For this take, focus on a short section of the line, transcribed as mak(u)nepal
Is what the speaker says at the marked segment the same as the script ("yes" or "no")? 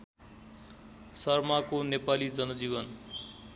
no